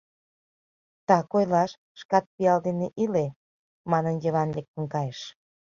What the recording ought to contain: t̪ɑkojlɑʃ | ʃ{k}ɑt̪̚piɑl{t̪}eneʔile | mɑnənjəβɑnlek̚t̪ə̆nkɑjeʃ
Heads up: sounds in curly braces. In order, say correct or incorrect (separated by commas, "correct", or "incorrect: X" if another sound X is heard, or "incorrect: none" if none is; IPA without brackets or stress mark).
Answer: correct, incorrect: d̪